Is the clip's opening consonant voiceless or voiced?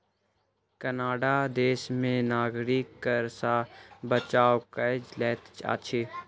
voiceless